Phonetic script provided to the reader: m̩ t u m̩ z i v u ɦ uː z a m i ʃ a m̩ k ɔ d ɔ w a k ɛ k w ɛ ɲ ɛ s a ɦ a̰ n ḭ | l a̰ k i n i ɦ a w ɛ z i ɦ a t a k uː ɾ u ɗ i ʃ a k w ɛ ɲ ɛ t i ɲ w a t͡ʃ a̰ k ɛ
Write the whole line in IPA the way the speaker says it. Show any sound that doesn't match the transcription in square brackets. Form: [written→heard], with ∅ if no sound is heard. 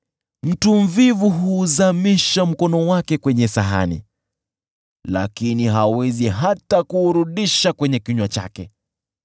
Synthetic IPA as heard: m̩ t u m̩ [z→v] i v u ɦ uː z a m i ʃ a m̩ k ɔ [d→n] ɔ w a k ɛ k w ɛ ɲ ɛ s a ɦ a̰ n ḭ | l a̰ k i n i ɦ a w ɛ z i ɦ a t a k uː ɾ u ɗ i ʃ a k w ɛ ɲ ɛ [t→k] i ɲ w a t͡ʃ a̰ k ɛ